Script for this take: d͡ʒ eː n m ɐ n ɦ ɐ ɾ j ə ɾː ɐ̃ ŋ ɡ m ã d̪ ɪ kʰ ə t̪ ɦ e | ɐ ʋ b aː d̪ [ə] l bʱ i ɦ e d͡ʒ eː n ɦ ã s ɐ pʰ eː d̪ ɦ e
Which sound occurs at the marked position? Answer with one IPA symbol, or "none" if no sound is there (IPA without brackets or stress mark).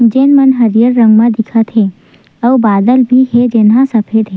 ə